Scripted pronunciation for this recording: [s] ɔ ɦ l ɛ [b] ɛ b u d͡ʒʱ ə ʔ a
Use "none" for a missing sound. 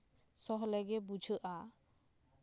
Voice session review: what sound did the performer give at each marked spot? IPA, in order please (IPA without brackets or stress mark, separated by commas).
s, ɡ